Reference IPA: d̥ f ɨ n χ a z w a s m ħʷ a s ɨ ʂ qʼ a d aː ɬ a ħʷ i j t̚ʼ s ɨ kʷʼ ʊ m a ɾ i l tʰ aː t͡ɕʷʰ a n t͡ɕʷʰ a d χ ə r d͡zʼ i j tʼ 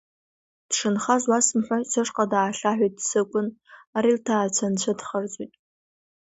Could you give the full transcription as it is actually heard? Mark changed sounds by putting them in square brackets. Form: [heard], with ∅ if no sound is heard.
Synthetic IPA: d̥ [ʂ] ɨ n χ a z w a s m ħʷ a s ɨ ʂ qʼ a d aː ɬ a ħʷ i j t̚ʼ s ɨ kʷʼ ʊ [n] a ɾ i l tʰ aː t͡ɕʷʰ a n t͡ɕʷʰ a d χ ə r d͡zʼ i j tʼ